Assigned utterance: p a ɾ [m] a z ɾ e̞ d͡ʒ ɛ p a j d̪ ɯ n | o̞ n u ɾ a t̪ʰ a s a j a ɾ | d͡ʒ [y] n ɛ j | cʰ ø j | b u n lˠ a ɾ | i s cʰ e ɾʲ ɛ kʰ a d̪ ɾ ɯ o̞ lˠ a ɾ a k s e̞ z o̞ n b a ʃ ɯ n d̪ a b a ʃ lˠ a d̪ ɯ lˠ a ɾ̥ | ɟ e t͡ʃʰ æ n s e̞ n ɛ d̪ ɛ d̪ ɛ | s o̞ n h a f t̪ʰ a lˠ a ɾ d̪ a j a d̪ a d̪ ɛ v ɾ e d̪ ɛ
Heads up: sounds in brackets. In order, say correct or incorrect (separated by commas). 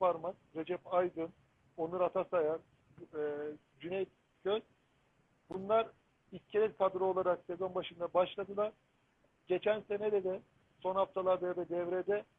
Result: correct, correct